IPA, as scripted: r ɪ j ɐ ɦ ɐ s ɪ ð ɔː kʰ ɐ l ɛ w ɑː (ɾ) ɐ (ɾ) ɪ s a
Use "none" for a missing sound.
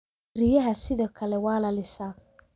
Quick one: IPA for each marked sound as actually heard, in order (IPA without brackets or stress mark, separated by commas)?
l, l